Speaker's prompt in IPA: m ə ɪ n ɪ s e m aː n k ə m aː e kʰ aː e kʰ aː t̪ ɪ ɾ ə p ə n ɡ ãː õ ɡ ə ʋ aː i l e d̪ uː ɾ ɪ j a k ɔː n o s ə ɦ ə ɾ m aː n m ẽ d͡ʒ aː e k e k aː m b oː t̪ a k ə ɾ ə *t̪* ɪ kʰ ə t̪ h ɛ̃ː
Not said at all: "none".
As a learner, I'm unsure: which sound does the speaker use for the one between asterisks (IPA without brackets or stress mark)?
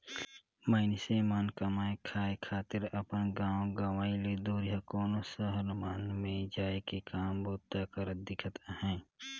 d̪